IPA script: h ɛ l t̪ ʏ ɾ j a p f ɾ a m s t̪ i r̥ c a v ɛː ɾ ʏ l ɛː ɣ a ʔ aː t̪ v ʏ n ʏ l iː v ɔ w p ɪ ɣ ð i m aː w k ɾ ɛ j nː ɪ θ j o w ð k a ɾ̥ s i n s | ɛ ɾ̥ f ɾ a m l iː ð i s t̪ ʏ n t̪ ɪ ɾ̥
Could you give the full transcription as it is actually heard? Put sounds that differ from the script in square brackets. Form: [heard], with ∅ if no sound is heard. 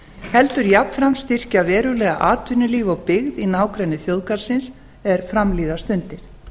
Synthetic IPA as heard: h ɛ l t̪ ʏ ɾ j a p f ɾ a m s t̪ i r̥ c a v ɛː ɾ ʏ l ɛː ɣ a ʔ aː t̪ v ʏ n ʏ l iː v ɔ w p ɪ ɣ ð i [n] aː w k ɾ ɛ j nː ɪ θ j o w ð k a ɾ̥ s [ɪ] n s | ɛ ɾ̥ f ɾ a m l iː ð [a] s t̪ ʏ n t̪ ɪ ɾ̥